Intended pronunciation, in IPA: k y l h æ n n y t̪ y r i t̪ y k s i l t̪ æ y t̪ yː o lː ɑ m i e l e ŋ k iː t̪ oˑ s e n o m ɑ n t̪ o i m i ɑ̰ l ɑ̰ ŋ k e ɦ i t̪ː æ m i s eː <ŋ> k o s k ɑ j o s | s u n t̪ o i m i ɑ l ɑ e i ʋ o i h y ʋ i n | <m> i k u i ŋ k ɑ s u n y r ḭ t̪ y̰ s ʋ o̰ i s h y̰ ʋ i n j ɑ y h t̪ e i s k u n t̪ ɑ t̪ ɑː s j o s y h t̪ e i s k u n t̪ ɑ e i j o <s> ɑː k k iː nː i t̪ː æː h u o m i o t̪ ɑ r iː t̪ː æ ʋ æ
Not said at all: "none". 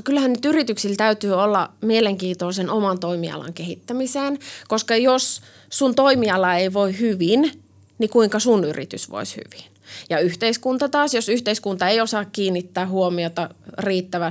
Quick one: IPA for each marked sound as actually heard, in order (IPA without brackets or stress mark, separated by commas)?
n, n, s